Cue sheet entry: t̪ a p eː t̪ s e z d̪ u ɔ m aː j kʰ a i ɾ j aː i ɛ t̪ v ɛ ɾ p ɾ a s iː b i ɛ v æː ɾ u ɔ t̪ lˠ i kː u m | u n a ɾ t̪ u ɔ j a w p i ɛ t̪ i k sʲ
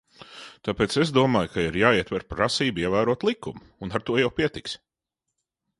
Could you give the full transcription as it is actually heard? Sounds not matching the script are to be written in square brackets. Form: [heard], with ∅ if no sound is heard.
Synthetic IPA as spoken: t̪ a p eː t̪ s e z d̪ u ɔ m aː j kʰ a i ɾ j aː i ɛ t̪ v ɛ ɾ p ɾ a s iː b i ɛ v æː ɾ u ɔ t̪ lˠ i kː u m | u n a ɾ t̪ u ɔ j a w p i ɛ t̪ i k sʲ